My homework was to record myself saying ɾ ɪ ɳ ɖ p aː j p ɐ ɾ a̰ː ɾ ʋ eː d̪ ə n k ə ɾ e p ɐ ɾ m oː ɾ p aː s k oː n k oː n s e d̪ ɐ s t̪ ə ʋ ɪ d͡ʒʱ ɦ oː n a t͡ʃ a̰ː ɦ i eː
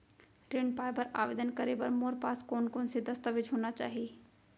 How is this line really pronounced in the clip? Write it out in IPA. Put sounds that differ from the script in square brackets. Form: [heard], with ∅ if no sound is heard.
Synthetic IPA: ɾ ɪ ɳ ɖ p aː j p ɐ ɾ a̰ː [∅] ʋ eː d̪ ə n k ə ɾ e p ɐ ɾ m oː ɾ p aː s k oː n k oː n s e d̪ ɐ s t̪ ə ʋ ɪ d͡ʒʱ ɦ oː n a t͡ʃ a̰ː ɦ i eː